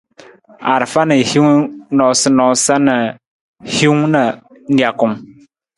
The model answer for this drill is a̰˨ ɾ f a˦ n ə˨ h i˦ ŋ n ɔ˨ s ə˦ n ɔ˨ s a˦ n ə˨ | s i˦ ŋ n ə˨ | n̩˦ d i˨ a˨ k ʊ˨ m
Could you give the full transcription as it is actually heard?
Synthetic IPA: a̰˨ ɾ f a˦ n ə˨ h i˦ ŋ n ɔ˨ s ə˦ n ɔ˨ s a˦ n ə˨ | h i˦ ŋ n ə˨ | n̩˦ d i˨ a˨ k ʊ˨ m